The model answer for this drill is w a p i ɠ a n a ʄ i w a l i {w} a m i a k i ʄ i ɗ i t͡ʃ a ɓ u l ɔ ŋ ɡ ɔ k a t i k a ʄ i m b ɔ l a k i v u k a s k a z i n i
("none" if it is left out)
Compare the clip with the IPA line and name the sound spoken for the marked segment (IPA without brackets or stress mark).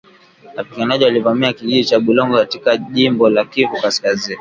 v